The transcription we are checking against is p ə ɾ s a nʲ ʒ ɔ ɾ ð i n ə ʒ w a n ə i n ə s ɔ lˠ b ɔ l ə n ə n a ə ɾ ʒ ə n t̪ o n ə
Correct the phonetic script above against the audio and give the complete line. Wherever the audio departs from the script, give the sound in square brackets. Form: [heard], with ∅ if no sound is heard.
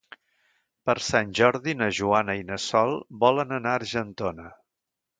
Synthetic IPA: p ə ɾ s a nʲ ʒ ɔ ɾ ð i n ə ʒ [u] a n ə i n ə s ɔ lˠ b ɔ l ə n ə n a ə ɾ ʒ ə n t̪ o n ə